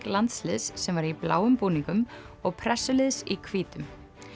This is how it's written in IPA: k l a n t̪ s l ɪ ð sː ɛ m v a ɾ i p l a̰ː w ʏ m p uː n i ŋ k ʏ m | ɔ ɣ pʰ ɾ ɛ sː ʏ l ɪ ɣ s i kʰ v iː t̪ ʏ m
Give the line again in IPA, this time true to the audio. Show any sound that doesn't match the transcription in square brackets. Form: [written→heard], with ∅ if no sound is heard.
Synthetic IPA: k l a n t̪ s l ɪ ð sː ɛ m v a ɾ i p l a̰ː w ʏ m p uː n i ŋ k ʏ m | ɔ ɣ pʰ ɾ ɛ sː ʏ l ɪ [ɣ→ð] s i kʰ v iː t̪ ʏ m